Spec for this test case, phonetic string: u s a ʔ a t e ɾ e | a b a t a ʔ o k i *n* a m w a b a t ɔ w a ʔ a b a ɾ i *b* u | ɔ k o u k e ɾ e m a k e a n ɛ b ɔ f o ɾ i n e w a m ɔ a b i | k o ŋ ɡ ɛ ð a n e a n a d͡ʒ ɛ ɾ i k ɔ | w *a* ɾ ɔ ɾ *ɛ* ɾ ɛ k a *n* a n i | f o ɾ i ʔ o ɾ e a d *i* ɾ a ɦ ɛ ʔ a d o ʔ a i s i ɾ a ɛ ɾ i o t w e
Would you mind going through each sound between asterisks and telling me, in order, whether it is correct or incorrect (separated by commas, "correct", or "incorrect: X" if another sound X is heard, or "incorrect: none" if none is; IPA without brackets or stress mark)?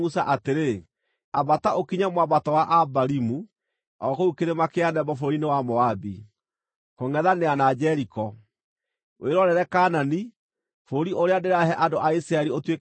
incorrect: ɲ, incorrect: m, incorrect: e, correct, correct, incorrect: e